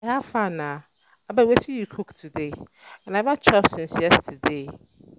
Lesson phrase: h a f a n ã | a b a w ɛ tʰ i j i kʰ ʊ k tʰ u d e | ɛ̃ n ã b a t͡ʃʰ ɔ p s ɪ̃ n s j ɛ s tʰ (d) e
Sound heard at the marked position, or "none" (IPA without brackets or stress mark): d